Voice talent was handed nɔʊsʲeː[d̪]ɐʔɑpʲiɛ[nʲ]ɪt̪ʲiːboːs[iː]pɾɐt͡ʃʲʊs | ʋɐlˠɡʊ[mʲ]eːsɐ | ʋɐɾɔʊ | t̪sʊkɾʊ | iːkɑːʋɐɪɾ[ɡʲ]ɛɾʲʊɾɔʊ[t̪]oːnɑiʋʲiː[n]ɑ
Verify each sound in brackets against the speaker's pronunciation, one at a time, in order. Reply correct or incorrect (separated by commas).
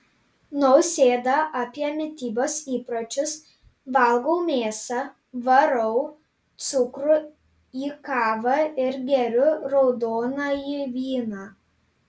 correct, incorrect, correct, correct, correct, incorrect, correct